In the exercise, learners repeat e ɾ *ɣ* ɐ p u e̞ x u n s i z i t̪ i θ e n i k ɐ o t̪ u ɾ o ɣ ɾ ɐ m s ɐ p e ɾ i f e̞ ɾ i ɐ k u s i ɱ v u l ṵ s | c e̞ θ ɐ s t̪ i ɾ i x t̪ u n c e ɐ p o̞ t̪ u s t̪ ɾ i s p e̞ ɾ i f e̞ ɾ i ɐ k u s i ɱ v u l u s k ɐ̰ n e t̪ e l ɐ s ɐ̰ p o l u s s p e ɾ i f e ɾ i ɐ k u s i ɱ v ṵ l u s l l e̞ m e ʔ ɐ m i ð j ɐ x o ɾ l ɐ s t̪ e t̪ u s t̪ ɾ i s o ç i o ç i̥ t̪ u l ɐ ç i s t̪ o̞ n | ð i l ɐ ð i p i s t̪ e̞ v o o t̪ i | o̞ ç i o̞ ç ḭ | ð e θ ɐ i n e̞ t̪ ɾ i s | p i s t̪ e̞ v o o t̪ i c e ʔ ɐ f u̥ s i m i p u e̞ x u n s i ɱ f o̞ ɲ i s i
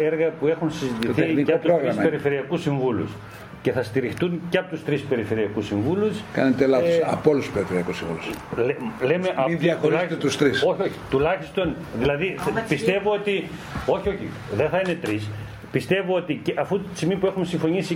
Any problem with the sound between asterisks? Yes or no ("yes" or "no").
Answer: no